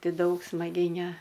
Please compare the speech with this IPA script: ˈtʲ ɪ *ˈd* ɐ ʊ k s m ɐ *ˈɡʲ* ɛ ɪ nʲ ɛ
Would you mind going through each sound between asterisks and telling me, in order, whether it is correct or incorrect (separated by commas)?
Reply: correct, correct